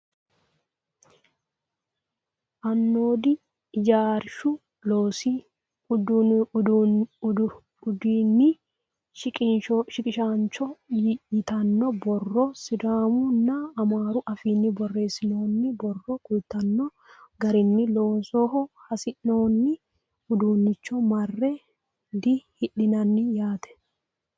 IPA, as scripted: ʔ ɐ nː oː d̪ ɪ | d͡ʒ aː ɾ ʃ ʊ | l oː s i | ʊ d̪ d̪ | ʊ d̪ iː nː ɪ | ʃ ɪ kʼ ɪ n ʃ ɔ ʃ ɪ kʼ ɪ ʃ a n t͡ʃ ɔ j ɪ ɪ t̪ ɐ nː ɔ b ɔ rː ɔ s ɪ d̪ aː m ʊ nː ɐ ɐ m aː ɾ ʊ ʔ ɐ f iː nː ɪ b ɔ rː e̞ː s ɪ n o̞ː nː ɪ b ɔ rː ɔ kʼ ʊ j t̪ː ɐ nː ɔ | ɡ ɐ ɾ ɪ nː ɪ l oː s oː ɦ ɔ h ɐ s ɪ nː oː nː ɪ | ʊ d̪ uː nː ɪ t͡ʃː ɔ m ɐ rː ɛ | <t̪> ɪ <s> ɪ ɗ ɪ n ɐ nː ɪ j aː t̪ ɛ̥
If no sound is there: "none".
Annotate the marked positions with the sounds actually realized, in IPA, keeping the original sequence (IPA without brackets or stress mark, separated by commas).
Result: d̪, h